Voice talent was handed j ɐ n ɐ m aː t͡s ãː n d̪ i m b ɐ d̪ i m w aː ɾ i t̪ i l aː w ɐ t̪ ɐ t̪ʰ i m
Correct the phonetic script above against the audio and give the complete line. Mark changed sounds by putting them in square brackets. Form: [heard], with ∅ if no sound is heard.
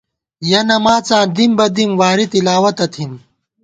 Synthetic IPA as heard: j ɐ n ɐ m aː t͡s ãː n d̪ i m b ɐ d̪ i m w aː ɾ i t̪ i l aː w ɐ t̪ ɐ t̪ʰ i m